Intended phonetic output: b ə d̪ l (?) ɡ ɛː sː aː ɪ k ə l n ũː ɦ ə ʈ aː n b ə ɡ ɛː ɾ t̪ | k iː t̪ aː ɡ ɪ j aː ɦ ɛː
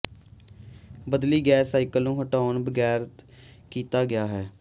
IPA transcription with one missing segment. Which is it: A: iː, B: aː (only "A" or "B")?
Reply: A